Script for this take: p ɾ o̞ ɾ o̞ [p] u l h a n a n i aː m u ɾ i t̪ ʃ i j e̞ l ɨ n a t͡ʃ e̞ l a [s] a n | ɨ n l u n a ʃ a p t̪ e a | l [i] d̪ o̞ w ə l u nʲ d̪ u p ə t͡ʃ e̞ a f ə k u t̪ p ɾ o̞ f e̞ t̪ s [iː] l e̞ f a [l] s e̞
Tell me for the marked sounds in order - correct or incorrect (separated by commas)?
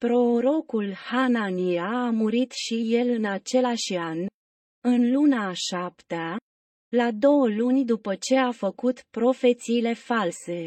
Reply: incorrect, incorrect, incorrect, correct, correct